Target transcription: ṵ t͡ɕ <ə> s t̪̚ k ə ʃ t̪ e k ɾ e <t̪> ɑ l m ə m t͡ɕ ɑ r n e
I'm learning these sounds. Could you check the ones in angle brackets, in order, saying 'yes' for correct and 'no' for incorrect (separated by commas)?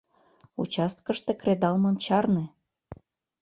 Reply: no, no